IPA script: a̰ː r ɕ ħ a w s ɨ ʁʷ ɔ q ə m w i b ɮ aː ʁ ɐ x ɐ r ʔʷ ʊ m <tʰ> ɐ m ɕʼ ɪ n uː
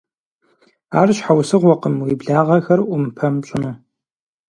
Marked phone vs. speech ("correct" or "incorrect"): incorrect